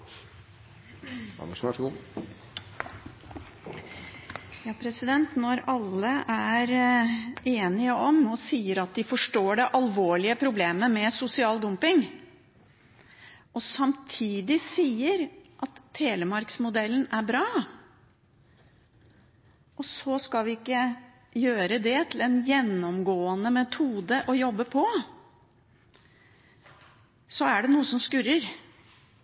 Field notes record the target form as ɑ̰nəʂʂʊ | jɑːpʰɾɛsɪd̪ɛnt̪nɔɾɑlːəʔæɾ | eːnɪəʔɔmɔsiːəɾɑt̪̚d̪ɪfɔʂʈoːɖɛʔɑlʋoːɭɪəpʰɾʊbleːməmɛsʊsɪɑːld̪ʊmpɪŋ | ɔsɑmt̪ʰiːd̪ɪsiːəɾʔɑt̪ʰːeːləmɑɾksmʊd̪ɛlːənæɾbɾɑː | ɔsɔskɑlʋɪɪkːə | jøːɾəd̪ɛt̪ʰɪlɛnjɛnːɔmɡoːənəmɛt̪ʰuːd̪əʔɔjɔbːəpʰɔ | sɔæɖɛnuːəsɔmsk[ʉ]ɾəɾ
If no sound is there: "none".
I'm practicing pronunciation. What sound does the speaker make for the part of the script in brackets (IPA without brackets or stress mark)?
ʉ